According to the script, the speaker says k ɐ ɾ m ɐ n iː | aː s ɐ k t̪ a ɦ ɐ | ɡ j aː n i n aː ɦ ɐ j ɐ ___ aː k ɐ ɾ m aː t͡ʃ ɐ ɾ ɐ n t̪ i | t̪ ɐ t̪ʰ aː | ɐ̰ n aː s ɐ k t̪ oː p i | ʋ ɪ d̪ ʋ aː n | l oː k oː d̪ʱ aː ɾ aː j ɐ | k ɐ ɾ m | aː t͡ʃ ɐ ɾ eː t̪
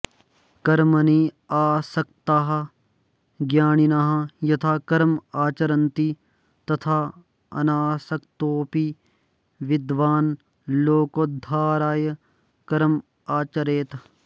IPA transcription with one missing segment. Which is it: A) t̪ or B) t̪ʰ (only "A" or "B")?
B